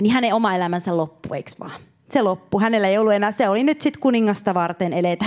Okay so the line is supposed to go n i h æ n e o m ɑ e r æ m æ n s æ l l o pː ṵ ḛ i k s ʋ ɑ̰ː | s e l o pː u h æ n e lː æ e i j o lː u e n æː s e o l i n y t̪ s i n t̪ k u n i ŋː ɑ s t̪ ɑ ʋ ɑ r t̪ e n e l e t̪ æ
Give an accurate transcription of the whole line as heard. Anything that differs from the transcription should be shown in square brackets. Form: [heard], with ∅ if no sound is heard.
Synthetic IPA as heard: n i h æ n e o m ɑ e [l] æ m æ n s æ l l o pː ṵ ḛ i k s ʋ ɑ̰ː | s e l o pː u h æ n e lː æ e i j o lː u e n æː s e o l i n y t̪ s i [∅] t̪ k u n i ŋː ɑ s t̪ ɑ ʋ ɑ r t̪ e n e l e t̪ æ